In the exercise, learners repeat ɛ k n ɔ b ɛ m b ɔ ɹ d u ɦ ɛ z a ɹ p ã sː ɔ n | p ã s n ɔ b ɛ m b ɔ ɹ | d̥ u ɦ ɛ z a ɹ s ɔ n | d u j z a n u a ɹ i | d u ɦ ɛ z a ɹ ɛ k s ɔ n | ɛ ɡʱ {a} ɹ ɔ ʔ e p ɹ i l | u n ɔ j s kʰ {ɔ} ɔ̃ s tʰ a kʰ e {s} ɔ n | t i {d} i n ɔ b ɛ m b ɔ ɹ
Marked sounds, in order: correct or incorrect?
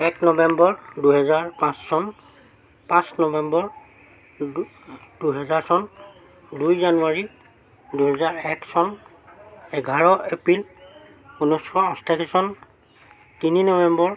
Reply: correct, correct, correct, incorrect: n

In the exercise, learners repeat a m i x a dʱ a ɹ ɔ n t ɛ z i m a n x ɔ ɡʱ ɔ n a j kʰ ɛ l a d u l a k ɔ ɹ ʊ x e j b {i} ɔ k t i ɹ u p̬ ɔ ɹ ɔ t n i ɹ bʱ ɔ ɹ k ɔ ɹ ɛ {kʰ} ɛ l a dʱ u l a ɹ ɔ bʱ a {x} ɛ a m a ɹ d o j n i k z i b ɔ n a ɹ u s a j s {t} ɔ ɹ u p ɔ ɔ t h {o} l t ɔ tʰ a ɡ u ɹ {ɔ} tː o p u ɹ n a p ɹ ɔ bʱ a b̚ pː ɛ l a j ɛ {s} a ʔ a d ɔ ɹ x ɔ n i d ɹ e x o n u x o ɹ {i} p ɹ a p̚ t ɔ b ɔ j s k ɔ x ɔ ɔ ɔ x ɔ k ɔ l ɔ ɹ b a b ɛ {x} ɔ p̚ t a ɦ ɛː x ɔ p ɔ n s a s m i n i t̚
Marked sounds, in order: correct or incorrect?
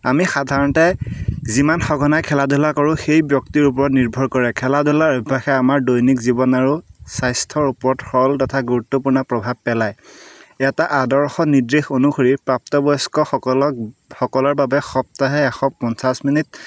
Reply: incorrect: j, correct, correct, incorrect: tʰ, incorrect: ɔ, incorrect: u, incorrect: t, correct, correct

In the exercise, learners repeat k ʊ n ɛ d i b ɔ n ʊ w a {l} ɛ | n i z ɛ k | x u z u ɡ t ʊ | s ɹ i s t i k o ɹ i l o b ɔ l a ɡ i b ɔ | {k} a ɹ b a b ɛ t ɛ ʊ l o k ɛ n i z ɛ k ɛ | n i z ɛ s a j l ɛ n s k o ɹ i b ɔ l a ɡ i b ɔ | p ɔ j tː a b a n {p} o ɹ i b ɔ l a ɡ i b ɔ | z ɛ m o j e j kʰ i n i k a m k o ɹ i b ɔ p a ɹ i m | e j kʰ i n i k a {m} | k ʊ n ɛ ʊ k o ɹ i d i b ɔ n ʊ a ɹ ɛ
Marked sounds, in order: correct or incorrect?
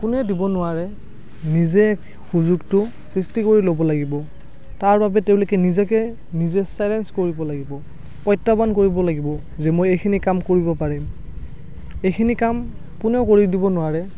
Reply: incorrect: ɹ, incorrect: t, incorrect: k, correct

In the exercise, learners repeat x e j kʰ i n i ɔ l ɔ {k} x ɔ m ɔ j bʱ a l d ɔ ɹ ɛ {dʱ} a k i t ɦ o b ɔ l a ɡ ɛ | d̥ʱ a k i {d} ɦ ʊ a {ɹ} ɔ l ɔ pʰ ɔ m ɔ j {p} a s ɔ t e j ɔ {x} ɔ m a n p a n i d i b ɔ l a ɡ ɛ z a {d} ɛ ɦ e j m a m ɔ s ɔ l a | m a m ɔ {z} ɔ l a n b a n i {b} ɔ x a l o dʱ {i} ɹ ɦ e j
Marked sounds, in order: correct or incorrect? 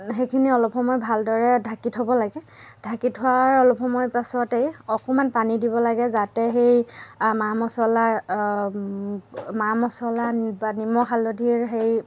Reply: incorrect: p, correct, incorrect: t, correct, correct, incorrect: k, incorrect: t, incorrect: s, incorrect: m, correct

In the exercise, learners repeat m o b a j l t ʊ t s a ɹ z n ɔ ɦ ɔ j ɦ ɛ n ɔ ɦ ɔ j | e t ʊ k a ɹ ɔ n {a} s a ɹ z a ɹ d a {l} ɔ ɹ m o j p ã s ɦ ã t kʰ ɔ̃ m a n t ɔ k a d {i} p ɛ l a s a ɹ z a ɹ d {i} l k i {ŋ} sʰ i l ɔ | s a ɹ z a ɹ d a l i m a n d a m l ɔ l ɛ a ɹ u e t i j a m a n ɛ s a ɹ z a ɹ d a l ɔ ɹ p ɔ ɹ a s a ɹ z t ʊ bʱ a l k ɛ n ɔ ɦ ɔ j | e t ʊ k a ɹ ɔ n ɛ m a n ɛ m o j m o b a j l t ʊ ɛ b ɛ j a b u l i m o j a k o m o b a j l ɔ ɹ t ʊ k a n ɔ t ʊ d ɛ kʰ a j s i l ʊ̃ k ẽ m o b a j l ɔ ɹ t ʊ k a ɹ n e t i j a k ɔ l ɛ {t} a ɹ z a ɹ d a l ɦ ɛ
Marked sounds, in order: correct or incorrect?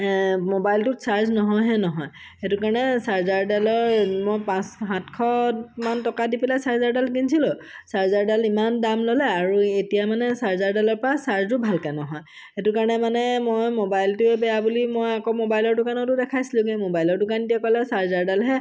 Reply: incorrect: ɛ, correct, correct, incorrect: a, incorrect: n, incorrect: s

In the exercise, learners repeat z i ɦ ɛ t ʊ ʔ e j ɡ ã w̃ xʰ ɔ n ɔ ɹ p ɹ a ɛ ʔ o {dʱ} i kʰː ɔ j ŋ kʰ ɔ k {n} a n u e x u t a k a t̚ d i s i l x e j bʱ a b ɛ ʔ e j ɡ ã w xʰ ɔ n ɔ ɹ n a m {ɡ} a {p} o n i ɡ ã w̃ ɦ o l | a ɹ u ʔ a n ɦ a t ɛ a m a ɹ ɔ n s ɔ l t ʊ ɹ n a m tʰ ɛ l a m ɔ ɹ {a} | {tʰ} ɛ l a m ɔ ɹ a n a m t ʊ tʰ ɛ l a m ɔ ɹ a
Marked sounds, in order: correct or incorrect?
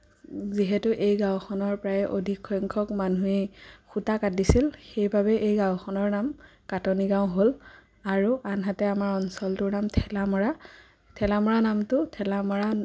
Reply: correct, incorrect: m, incorrect: k, incorrect: t, correct, correct

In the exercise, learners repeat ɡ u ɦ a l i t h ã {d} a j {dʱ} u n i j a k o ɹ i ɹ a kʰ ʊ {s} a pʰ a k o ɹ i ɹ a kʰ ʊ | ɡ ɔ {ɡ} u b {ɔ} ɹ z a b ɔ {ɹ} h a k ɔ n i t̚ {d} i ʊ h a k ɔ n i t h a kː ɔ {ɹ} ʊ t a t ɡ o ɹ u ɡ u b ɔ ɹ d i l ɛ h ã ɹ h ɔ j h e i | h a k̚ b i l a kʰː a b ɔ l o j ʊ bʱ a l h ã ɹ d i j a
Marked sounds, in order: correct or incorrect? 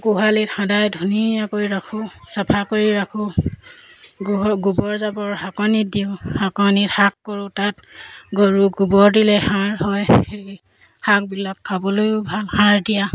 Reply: correct, correct, correct, correct, correct, correct, correct, correct

